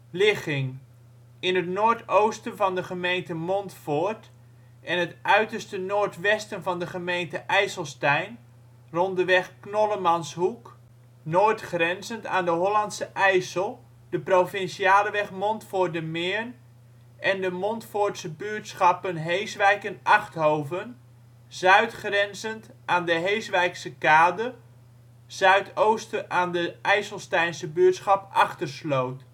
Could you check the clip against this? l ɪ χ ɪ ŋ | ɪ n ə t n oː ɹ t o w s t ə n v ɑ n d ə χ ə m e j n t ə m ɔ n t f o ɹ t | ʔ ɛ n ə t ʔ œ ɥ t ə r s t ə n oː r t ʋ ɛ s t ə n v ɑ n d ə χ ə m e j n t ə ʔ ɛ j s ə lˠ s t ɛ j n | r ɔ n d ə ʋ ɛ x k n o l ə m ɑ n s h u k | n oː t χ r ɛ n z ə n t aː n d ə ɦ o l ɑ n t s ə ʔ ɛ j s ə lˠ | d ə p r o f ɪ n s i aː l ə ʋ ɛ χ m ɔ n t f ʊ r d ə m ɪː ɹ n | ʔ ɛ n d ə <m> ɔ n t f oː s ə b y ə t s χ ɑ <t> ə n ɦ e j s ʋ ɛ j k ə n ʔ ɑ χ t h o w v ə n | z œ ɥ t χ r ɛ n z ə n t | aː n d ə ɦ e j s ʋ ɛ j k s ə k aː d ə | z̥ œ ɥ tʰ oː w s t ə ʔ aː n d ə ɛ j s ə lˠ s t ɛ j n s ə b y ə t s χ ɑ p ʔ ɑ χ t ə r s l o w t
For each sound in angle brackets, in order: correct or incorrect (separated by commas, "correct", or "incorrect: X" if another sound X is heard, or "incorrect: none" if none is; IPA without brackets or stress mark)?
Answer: correct, incorrect: p